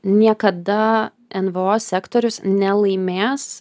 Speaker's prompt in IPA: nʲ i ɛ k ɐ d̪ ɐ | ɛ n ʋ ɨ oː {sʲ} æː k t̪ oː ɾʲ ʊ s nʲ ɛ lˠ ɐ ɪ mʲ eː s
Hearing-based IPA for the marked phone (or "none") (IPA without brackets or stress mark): sʲ